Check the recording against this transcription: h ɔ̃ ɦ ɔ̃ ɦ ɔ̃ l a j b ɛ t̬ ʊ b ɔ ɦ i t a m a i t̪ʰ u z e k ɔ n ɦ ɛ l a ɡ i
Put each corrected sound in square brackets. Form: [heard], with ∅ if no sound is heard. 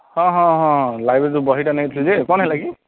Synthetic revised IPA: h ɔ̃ ɦ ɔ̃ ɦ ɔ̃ l a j b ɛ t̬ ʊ b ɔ ɦ i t a [n] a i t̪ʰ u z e k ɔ n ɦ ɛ l a ɡ i

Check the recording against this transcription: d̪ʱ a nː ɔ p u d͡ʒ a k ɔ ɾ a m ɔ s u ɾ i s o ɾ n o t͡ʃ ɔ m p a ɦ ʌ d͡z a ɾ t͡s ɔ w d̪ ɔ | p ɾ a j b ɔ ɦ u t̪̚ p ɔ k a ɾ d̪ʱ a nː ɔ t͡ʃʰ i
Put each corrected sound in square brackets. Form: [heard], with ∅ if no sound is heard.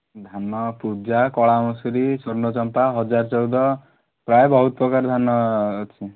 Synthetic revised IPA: d̪ʱ a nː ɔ p u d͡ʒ a k ɔ [ɭ] a m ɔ s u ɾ i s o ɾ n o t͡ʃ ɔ m p a ɦ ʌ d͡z a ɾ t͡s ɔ w d̪ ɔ | p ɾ a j b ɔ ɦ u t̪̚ p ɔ k a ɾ d̪ʱ a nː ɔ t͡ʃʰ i

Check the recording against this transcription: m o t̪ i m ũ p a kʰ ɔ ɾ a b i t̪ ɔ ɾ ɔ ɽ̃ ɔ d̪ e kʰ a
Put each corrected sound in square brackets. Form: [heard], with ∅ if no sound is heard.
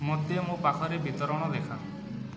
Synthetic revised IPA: m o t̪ [e] m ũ p a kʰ ɔ ɾ [e] b i t̪ ɔ ɾ ɔ ɽ̃ ɔ d̪ e kʰ a

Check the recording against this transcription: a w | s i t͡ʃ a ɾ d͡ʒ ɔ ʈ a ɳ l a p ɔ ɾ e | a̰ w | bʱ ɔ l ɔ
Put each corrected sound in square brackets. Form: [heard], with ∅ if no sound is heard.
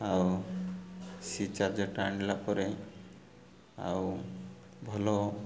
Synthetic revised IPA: a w | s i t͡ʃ a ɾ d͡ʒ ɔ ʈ a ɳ l a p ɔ ɾ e | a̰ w | bʱ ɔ l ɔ

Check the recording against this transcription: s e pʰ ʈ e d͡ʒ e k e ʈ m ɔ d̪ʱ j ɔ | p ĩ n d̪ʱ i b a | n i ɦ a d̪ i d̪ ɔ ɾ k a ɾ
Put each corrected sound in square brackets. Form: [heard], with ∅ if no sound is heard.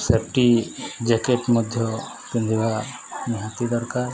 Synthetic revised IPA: s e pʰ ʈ [i] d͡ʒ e k e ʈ m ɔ d̪ʱ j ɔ | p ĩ n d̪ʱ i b a | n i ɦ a [t̪] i d̪ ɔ ɾ k a ɾ

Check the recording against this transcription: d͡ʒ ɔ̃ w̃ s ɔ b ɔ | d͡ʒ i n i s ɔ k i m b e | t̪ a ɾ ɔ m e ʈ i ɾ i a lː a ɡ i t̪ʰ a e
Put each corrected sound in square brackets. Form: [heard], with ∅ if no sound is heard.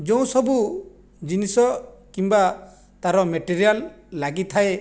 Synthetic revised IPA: d͡ʒ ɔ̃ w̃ s ɔ b [u] | d͡ʒ i n i s ɔ k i m b [a] | t̪ a ɾ ɔ m e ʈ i ɾ i a lː a ɡ i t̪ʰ a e

